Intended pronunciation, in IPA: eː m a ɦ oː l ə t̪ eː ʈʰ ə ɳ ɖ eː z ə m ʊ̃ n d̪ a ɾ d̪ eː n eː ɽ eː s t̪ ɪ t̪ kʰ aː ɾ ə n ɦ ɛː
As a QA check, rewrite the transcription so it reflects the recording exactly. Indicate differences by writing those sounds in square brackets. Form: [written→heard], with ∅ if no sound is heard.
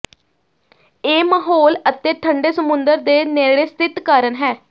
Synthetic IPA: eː m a ɦ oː l ə t̪ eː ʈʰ ə ɳ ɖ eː [z→s] ə m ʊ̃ n d̪ [a→ə] ɾ d̪ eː n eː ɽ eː s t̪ ɪ t̪ [kʰ→k] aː ɾ ə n ɦ ɛː